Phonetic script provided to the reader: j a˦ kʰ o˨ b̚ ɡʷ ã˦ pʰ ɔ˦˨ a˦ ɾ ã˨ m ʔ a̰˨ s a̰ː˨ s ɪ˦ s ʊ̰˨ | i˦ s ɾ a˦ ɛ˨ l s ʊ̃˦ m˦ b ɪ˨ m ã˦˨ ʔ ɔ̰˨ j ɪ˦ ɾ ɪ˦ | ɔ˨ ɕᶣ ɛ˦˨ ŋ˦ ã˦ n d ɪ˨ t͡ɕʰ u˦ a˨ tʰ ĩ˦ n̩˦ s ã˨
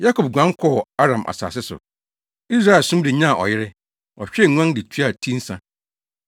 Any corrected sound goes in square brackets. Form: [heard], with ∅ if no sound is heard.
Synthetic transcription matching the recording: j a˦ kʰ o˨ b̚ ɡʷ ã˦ [kʰ] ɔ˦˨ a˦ ɾ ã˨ m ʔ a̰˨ s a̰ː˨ s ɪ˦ s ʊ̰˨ | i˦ s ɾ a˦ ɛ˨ l s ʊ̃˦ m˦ [d] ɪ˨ [ɲ] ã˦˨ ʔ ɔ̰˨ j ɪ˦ ɾ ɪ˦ | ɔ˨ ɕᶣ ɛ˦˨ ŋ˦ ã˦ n d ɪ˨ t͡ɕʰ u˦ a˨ tʰ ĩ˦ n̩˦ s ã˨